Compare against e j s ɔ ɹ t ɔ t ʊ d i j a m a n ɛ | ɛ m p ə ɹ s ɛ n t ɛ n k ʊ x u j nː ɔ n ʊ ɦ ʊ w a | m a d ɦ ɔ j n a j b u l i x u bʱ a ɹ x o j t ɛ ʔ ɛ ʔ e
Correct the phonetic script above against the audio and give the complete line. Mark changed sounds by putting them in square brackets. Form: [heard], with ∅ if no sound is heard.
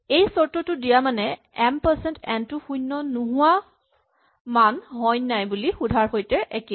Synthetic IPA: e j s ɔ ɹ t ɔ t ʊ d i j a m a n ɛ | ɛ m p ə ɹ s ɛ n t ɛ n [t] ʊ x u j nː ɔ n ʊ ɦ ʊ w a | m a [n] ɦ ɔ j n a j b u l i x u [dʱ] a ɹ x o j t ɛ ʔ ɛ [k] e